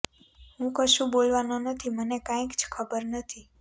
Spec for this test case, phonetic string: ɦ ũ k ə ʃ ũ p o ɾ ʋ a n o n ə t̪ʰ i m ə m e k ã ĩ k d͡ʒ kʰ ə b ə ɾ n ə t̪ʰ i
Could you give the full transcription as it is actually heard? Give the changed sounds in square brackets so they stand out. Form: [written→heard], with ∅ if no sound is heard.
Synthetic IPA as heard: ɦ ũ k ə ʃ ũ [p→b] o [ɾ→l] ʋ a n o n ə t̪ʰ i m ə [m→n] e k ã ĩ k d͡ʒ kʰ ə b ə ɾ n ə t̪ʰ i